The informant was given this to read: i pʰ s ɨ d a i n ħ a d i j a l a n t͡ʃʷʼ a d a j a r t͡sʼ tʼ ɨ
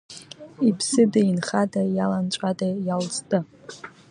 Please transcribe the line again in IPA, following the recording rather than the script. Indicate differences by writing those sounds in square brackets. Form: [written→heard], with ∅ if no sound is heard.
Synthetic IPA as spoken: i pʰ s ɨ d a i n [ħ→χ] a d [i→a] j a l a n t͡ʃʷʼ a d a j a [r→l] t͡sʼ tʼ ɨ